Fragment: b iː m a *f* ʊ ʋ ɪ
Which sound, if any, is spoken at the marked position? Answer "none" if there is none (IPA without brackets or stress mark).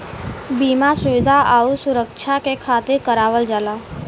s